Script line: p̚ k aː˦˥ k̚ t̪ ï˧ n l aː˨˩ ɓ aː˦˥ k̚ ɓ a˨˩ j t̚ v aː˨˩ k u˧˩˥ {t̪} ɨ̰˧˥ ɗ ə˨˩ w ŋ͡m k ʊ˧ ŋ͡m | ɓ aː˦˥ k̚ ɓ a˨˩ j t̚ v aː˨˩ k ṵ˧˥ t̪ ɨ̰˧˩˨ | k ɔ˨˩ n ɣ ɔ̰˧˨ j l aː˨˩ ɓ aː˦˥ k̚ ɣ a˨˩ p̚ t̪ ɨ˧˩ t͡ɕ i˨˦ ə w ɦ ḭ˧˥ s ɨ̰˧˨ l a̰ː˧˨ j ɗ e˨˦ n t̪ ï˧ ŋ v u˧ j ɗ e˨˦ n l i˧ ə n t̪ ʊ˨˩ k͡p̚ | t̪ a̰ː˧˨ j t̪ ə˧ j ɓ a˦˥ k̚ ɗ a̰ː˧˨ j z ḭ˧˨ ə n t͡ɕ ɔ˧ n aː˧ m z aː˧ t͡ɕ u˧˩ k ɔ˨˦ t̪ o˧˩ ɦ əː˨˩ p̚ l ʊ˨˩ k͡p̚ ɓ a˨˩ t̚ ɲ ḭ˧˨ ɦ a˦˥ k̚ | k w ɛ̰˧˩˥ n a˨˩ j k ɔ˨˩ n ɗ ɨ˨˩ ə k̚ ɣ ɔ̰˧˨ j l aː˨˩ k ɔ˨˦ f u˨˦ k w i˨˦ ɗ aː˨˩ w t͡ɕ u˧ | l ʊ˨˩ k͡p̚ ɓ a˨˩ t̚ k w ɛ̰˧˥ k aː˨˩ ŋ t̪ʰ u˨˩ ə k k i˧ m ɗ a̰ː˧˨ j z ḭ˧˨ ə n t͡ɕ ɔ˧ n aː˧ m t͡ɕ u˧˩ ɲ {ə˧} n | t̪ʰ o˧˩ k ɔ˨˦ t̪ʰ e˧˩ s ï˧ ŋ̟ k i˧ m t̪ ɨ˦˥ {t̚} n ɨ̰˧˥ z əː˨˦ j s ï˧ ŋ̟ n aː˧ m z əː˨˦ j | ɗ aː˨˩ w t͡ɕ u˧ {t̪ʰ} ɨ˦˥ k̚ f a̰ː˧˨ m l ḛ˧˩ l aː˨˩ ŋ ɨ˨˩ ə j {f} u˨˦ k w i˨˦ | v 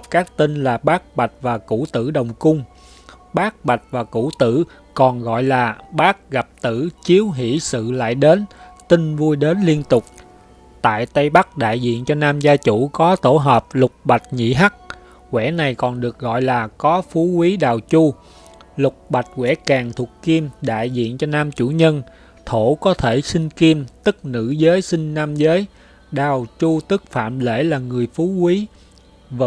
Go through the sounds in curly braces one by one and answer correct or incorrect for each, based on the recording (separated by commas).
correct, correct, incorrect, incorrect, correct